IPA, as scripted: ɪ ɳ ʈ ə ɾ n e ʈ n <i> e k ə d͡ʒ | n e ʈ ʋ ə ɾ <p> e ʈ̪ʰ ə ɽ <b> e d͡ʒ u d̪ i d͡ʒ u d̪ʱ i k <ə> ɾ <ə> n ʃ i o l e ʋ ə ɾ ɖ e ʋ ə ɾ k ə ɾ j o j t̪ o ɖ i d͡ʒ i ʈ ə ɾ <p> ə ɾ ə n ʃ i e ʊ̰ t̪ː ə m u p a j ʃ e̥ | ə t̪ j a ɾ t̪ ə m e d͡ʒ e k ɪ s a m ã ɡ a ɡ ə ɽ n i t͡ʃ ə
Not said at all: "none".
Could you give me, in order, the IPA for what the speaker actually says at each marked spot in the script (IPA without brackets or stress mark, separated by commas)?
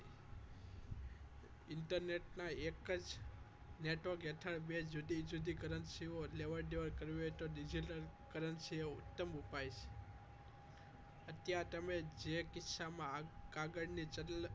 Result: a, k, b, ə, ə, k